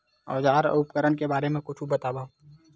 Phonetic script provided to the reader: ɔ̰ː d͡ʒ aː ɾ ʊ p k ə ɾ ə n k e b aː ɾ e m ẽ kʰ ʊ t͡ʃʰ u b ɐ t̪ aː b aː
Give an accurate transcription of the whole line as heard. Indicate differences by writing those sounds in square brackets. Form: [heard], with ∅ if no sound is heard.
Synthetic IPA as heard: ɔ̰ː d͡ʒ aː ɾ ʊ p k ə ɾ ə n k e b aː ɾ e m ẽ [k] ʊ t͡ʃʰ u b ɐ t̪ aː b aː